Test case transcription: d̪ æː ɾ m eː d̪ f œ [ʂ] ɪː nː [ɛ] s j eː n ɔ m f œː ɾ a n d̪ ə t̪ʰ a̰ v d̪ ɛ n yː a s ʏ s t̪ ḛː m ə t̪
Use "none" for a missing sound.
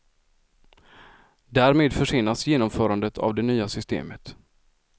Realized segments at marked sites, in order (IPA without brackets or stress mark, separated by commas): ʂ, a